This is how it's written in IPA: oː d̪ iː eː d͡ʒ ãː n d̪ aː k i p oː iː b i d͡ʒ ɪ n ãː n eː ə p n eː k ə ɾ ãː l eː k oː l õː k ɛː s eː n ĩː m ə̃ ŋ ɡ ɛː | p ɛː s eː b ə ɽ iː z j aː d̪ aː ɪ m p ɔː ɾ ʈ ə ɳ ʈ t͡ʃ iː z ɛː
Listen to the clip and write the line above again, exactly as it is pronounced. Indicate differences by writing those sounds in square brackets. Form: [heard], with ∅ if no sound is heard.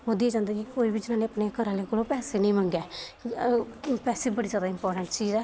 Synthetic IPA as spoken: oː d̪ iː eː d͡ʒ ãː n d̪ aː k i [k] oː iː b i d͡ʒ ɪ n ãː n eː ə p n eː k ə ɾ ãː l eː k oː l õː [p] ɛː s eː n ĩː m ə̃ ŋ ɡ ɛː | p ɛː s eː b ə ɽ iː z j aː d̪ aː ɪ m p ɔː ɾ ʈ ə ɳ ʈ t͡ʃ iː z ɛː